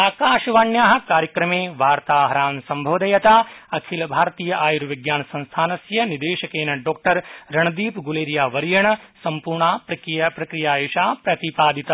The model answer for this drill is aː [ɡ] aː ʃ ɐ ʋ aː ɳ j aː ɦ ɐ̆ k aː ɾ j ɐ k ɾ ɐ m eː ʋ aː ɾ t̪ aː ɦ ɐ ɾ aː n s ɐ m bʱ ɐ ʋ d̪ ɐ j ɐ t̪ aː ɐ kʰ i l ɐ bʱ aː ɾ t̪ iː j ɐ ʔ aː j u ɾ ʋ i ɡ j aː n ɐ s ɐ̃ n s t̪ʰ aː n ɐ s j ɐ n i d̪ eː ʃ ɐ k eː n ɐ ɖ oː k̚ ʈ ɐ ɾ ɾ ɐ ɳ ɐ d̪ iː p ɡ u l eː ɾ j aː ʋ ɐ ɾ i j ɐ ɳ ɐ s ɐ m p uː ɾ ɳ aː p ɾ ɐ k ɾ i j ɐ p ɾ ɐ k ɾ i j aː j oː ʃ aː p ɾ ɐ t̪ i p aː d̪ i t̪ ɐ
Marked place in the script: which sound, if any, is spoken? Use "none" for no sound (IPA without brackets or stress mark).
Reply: k